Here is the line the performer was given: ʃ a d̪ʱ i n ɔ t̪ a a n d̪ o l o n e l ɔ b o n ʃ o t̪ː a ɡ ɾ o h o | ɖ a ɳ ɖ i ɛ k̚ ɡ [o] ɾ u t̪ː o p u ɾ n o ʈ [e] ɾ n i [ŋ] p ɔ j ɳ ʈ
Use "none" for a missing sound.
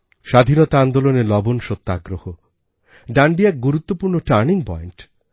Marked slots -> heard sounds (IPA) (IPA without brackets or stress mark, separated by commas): u, a, ŋ